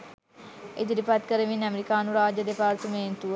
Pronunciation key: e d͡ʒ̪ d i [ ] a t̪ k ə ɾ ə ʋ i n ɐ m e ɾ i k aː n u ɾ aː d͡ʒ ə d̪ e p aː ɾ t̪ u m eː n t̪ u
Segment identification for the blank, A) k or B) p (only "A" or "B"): B